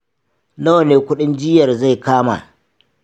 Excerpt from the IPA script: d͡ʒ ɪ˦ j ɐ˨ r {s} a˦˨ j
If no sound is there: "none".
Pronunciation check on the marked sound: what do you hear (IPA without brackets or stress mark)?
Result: z